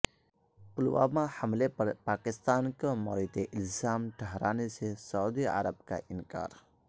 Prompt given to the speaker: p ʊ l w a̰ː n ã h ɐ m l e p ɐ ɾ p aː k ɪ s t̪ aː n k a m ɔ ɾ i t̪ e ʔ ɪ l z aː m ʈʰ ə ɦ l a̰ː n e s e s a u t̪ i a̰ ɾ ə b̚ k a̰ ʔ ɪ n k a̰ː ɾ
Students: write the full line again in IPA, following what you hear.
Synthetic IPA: p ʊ l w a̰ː m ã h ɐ m l e p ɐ ɾ p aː k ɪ s t̪ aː n k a m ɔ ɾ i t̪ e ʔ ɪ l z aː m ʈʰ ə ɦ ɾ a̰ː n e s e s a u d̪ i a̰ ɾ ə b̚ k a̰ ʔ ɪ n k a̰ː ɾ